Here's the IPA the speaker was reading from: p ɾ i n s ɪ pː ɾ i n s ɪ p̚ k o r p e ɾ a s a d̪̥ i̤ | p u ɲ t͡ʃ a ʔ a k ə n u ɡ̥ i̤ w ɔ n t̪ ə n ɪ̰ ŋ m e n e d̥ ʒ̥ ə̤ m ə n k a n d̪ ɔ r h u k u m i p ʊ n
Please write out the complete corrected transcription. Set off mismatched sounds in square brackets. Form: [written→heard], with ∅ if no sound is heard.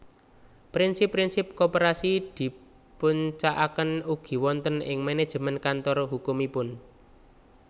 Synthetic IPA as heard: p ɾ i n s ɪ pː ɾ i n s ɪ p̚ k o [r→∅] p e ɾ a s [a→i] d̪̥ i̤ | p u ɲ t͡ʃ a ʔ a k ə n u ɡ̥ i̤ w ɔ n t̪ ə n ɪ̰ ŋ m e n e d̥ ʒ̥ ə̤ m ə n k a n [d̪→t̪] ɔ r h u k u m i p ʊ n